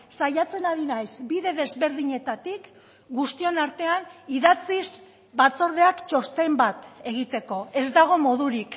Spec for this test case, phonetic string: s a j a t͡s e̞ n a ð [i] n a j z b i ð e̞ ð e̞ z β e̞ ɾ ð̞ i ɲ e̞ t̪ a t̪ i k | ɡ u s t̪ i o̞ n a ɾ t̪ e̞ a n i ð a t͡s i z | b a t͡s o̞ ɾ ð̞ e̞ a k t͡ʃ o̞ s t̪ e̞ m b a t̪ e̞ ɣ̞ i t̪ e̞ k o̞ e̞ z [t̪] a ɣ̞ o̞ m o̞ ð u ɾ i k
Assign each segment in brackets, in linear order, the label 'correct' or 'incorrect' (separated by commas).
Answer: correct, incorrect